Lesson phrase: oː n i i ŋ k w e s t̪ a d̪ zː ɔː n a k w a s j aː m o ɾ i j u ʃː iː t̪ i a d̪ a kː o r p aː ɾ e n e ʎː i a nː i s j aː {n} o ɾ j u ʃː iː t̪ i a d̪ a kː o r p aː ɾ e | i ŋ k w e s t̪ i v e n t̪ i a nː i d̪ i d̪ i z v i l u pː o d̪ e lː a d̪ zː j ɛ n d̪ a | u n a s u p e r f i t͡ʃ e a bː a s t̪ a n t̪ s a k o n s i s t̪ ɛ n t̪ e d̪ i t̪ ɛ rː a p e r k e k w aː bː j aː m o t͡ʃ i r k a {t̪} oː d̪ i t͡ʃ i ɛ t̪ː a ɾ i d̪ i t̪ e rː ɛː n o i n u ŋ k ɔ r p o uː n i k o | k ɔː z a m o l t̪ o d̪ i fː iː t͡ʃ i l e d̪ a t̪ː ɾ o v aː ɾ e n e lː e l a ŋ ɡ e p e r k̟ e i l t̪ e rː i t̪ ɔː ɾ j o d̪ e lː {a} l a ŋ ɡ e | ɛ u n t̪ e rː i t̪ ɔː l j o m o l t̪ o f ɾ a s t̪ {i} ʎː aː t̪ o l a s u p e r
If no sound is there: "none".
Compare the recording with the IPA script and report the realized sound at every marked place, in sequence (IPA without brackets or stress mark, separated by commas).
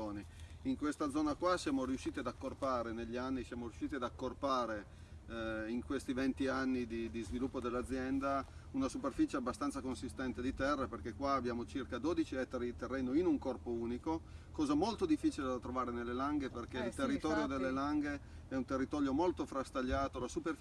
m, d̪, e, a